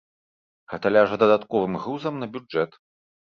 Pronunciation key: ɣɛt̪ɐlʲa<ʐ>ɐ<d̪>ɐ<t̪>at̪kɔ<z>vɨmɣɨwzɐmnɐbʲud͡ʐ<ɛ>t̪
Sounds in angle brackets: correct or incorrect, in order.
correct, correct, incorrect: d̪, incorrect: none, correct

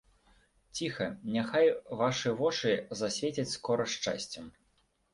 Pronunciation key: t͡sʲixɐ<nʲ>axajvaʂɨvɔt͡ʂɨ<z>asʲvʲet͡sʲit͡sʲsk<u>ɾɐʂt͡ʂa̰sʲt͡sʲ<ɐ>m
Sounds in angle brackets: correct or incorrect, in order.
correct, correct, incorrect: ɔ, correct

